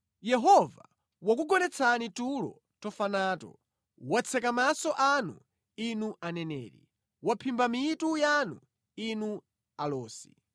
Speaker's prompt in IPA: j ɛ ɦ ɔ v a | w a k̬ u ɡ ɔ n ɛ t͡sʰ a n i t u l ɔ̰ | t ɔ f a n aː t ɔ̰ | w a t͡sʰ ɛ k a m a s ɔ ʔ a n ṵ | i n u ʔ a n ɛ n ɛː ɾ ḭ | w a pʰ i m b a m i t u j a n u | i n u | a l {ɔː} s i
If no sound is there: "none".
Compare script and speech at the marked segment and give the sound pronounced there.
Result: ɔː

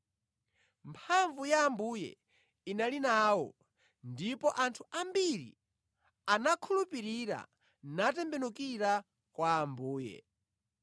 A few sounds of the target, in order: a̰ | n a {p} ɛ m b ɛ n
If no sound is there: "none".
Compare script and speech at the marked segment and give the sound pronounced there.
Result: t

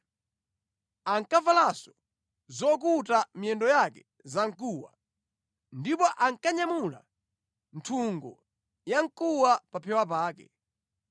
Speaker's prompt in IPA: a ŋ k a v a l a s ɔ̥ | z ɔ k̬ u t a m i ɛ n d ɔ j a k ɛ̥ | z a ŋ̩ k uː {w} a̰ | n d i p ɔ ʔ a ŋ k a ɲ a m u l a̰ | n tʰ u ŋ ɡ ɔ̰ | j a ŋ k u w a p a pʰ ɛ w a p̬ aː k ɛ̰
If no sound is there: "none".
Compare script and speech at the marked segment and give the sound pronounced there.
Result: w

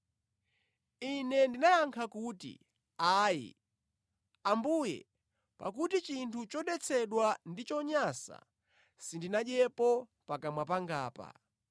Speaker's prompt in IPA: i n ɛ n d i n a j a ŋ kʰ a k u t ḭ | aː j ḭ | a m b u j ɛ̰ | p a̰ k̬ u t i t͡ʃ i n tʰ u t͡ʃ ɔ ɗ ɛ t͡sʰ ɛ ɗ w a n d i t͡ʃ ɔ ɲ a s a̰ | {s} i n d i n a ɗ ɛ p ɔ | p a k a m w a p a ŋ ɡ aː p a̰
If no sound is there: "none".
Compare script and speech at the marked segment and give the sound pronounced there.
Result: s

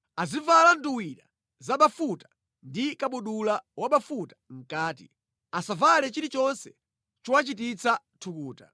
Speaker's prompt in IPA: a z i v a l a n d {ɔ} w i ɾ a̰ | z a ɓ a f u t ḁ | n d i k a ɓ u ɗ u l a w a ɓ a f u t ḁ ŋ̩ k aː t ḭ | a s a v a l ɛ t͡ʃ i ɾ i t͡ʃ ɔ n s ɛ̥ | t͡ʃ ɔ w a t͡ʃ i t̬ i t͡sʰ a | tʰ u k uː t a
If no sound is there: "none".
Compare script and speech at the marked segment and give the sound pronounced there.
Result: u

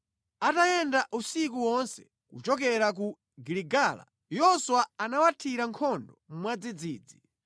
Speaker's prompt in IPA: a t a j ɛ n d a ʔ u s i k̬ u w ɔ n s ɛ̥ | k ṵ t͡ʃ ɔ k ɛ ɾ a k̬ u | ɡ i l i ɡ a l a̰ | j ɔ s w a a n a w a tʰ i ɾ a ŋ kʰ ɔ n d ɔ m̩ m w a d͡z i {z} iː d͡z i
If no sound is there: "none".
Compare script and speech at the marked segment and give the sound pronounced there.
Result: d͡z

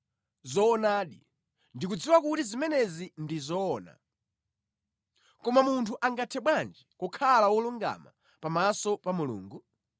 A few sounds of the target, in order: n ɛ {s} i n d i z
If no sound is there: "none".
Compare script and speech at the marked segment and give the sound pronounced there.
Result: z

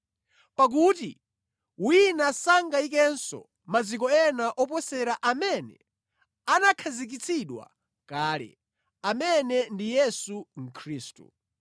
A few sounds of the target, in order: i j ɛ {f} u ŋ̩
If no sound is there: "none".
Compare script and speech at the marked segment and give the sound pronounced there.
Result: s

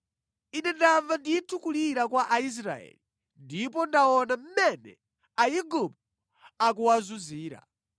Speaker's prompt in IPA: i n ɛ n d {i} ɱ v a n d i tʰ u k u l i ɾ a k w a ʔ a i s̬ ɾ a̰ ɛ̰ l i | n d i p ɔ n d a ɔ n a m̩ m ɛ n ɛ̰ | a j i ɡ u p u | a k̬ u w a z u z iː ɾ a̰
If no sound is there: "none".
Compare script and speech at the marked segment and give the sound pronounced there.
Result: a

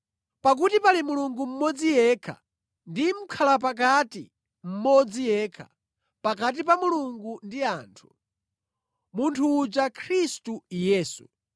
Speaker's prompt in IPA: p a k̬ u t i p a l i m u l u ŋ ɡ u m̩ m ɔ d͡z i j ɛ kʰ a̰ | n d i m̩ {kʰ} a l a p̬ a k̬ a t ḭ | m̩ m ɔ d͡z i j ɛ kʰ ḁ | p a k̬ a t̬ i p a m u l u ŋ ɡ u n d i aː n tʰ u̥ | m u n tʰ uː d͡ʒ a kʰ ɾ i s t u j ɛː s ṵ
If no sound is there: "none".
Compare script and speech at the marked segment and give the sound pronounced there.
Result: kʰ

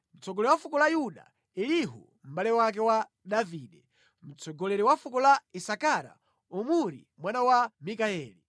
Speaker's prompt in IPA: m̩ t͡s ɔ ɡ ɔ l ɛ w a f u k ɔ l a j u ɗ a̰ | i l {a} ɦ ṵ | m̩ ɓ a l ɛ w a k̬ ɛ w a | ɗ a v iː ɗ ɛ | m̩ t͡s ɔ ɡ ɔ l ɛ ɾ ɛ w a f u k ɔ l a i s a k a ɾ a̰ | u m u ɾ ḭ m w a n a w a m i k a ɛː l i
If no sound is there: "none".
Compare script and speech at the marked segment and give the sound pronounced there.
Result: i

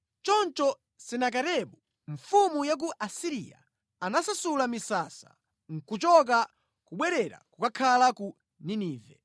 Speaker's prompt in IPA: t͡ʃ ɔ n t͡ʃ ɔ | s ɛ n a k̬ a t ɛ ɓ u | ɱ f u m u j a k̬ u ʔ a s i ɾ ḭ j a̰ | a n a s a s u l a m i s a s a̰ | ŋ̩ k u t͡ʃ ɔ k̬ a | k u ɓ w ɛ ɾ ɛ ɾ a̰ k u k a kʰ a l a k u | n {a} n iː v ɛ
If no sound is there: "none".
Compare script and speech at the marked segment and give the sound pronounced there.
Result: i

